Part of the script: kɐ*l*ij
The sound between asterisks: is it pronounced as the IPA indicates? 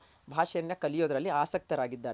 yes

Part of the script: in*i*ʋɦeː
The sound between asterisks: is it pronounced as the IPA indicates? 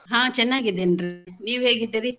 no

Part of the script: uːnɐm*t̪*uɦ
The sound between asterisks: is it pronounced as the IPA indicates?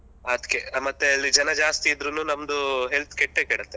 no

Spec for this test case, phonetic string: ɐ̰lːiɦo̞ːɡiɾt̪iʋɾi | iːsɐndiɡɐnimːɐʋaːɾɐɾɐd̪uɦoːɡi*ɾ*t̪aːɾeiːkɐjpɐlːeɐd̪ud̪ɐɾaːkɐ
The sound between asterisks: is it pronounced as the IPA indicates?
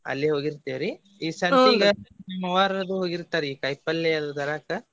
yes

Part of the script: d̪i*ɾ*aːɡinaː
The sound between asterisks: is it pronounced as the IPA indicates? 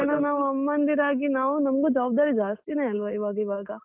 yes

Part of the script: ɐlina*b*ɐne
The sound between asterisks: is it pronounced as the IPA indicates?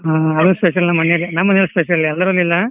no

